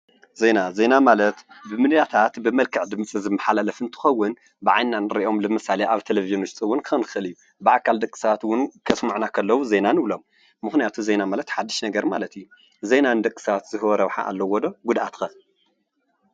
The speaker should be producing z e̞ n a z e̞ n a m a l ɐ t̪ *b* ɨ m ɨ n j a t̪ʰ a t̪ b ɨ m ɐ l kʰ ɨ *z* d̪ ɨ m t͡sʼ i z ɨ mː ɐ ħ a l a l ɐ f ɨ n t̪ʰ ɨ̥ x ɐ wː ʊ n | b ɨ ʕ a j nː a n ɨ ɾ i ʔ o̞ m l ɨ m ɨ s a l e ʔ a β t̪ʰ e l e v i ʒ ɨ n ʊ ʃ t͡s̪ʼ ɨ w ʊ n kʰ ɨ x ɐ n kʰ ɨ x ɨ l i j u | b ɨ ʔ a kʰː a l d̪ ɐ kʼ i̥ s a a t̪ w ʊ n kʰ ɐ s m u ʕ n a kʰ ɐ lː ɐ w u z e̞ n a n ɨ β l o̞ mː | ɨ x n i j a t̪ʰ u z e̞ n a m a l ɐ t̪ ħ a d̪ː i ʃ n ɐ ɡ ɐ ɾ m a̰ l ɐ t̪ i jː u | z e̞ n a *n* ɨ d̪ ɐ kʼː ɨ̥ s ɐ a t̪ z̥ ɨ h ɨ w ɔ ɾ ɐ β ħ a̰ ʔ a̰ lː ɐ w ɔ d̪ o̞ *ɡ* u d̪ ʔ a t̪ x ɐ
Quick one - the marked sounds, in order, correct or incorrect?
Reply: correct, incorrect, correct, correct

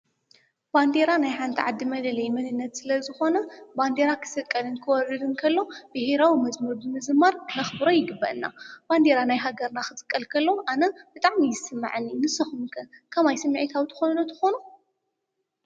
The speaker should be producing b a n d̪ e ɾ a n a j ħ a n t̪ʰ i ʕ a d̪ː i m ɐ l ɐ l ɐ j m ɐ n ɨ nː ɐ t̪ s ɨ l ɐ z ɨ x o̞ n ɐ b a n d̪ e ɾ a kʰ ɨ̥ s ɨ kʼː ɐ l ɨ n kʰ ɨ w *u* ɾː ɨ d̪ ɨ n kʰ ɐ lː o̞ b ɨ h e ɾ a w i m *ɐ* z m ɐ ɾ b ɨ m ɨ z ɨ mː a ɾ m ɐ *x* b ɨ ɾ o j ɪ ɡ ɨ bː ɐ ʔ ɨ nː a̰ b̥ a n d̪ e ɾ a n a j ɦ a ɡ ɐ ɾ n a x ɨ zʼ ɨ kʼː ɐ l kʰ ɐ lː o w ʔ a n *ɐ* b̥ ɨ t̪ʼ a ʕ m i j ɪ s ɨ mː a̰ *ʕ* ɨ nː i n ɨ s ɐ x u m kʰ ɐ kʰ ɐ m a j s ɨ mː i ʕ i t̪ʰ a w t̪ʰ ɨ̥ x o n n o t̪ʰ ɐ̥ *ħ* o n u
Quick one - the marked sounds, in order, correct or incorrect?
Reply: incorrect, correct, correct, correct, correct, incorrect

